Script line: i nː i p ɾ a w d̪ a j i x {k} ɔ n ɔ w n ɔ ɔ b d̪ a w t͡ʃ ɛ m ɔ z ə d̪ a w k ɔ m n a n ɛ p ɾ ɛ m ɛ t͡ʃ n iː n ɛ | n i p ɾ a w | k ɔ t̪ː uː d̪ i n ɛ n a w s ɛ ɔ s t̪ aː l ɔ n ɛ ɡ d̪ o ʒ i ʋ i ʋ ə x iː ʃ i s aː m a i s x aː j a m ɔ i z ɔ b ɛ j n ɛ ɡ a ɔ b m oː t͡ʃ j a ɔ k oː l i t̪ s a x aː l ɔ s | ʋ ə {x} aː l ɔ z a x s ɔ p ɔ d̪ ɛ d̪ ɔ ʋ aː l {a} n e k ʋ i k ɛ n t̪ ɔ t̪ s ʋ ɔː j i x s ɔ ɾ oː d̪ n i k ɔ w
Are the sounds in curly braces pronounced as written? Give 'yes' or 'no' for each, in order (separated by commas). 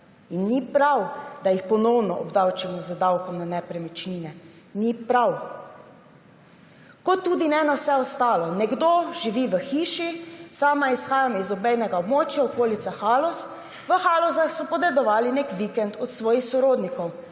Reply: no, yes, no